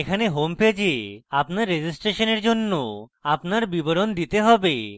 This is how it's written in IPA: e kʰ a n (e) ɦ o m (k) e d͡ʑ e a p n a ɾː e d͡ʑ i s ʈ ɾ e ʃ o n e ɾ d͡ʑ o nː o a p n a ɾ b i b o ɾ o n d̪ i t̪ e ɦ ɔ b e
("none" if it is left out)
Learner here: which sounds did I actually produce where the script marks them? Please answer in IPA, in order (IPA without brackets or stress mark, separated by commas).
e, p